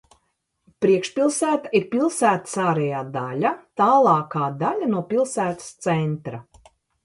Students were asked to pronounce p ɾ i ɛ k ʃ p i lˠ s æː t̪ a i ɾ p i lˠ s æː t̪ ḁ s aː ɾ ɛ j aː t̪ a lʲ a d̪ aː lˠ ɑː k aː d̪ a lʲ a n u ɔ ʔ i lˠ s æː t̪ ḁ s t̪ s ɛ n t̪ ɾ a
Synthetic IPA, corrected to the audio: p ɾ i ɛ k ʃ p i lˠ s æː t̪ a i ɾ p i lˠ s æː t̪ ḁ s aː ɾ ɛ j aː d̪ a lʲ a t̪ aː lˠ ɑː k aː d̪ a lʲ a n u ɔ p i lˠ s æː t̪ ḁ s t̪ s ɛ n t̪ ɾ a